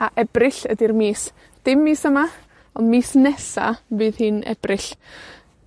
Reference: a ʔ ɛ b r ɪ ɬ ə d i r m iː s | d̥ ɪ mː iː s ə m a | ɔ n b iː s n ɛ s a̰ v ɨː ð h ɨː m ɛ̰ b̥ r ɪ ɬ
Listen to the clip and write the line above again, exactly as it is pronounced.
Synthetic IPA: a ʔ ɛ b r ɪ ɬ ə d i r m iː s | d̥ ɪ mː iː s ə m a | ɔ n m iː s n ɛ s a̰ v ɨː ð h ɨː n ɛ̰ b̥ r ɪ ɬ

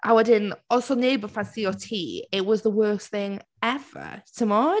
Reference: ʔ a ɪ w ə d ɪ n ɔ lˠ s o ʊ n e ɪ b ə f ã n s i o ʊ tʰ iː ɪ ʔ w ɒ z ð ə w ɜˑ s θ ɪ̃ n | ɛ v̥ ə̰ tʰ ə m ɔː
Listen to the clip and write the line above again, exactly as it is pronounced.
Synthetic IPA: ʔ a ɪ w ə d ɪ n ɔ lˠ s o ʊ n e ɪ b ə f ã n s i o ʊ tʰ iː ɪ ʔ w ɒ z ð ə w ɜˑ s θ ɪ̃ ŋ | ɛ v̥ ə̰ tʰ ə m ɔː

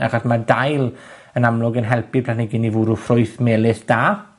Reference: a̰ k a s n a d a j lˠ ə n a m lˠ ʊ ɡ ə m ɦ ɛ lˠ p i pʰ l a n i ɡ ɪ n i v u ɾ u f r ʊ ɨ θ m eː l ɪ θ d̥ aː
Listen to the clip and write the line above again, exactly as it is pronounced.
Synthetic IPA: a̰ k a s m a d a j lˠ ə n a m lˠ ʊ ɡ ə n ɦ ɛ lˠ p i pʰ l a n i ɡ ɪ n i v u ɾ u f r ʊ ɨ θ m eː l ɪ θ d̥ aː

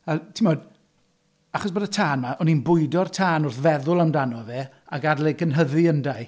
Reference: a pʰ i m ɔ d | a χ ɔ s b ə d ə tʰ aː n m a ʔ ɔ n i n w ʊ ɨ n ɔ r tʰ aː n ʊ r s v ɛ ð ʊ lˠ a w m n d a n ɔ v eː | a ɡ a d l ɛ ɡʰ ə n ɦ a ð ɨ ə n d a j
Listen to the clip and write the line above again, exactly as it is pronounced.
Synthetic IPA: a tʰ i m ɔ d | a χ ɔ s b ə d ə tʰ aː n m a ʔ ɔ n i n b ʊ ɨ d ɔ r tʰ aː n ʊ r θ v ɛ ð ʊ lˠ a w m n d a n ɔ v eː | a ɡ a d l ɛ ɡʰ ə n ɦ ə ð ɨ ə n d a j

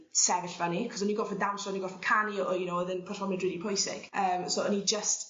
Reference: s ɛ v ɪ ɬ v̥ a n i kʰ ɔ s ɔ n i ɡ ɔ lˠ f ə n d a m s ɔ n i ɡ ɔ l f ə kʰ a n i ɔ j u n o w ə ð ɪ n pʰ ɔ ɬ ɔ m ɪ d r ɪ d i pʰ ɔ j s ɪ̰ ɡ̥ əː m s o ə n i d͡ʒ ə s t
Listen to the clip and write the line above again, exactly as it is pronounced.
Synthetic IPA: s ɛ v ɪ ɬ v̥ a n i kʰ ɔ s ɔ n i ɡ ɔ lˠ f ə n d a m s ɔ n i ɡ ɔ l f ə kʰ a n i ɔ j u n o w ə ð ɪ n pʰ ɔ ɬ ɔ m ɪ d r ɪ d i pʰ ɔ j s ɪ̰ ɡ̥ əː m s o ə n i d͡ʒ ə s t

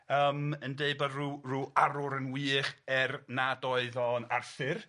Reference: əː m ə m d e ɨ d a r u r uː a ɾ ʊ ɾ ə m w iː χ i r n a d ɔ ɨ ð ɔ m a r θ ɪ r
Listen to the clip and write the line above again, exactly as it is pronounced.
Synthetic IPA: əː m ə n d e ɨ b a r u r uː a ɾ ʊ ɾ ə n w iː χ ɛ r n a d ɔ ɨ ð ɔ n a r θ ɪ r

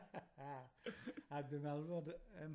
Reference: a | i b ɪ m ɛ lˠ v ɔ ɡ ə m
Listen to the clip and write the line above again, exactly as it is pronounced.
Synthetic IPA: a | a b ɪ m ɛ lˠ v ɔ d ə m

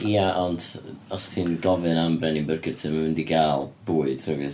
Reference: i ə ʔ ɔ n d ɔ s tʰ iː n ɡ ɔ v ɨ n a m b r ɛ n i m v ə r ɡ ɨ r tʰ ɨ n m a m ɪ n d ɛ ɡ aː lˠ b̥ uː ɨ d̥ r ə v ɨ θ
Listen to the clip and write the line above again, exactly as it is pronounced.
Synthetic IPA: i a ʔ ɔ n d ɔ s tʰ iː n ɡ ɔ v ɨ n a m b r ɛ n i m b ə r ɡ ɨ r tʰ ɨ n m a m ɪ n d i ɡ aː lˠ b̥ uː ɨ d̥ r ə v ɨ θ

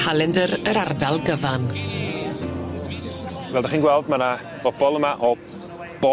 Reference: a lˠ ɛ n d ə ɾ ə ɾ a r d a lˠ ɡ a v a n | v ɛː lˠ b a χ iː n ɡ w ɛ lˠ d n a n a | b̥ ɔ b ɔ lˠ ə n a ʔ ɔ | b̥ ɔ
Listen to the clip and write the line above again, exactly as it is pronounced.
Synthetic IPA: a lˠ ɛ n d ə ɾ ə ɾ a r d a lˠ ɡ ə v a n | v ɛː lˠ d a χ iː n ɡ w ɛ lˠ d m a n a | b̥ ɔ b ɔ lˠ ə m a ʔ ɔ | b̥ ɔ

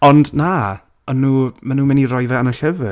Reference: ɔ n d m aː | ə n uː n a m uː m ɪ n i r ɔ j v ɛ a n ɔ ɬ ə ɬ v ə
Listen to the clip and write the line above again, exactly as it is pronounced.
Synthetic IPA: ɔ n d n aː | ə n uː m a n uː m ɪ n i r ɔ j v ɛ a n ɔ ɬ ə v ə

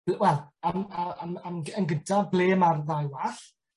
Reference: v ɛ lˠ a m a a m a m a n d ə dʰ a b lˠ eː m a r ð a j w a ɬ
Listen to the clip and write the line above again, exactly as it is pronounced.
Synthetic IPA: w ɛ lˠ a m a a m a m ə n ɡ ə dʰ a b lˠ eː m a r ð a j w a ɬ

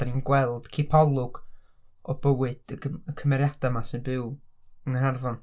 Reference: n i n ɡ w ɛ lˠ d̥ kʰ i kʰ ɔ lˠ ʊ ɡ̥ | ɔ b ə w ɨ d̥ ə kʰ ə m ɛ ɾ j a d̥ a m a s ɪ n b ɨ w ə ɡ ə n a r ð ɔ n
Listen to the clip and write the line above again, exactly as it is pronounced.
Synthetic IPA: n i n ɡ w ɛ lˠ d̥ kʰ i pʰ ɔ lˠ ʊ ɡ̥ | ɔ b ə w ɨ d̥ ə kʰ ə m ɛ ɾ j a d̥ a m a s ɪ n b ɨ w ə ŋ ə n a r v ɔ n

